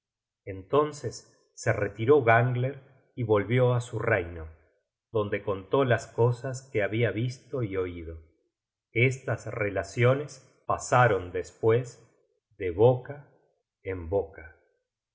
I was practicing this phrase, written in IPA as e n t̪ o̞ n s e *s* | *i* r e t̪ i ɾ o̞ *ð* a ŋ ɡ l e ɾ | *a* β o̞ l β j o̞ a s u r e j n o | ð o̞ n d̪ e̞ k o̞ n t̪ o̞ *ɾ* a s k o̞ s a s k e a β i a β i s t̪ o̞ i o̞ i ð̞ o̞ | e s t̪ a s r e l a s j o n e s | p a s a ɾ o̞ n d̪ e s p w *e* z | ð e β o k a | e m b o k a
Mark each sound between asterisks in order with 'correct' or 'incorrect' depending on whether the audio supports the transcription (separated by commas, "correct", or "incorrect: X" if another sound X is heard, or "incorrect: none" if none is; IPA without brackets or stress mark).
incorrect: sː, incorrect: e, incorrect: ɣ, incorrect: i, incorrect: l, correct